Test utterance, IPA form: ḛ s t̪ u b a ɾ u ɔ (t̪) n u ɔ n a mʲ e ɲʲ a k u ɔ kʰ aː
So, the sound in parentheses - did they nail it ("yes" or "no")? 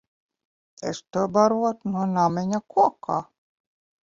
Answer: yes